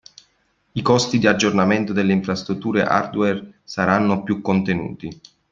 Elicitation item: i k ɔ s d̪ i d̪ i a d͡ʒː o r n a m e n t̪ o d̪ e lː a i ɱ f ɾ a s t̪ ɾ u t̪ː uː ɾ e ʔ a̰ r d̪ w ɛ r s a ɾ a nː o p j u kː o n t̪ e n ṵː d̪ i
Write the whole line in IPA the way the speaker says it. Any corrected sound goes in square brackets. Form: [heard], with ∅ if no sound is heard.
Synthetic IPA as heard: i k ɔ s [t̪] i d̪ i a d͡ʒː o r n a m e n t̪ o d̪ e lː [e] i ɱ f ɾ a s t̪ ɾ u t̪ː uː ɾ e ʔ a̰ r d̪ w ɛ r s a ɾ a nː o p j u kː o n t̪ e n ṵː [t̪] i